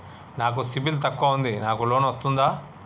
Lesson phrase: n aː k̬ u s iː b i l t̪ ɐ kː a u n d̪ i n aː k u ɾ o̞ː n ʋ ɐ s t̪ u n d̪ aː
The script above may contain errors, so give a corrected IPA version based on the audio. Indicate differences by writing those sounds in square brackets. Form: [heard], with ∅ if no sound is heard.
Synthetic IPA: n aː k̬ u s [i] b i l t̪ ɐ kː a u n d̪ i n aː k u [l] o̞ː n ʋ ɐ s t̪ u n d̪ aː